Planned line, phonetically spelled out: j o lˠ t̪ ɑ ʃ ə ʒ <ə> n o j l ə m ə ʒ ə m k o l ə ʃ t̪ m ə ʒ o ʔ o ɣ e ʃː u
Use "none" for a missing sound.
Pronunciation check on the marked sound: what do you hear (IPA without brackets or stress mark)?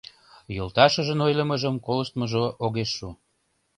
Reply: ə